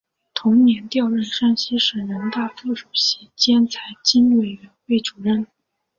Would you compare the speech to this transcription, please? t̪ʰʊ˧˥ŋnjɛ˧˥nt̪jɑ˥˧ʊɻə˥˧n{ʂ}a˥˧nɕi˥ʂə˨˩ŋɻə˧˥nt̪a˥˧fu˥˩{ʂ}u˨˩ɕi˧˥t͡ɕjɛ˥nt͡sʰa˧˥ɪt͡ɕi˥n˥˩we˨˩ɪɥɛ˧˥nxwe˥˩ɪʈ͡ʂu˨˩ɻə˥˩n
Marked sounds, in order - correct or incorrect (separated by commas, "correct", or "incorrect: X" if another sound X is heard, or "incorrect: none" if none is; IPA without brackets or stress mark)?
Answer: correct, correct